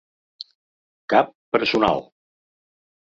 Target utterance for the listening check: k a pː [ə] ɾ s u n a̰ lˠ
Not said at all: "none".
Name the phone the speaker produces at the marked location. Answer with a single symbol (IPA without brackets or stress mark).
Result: ə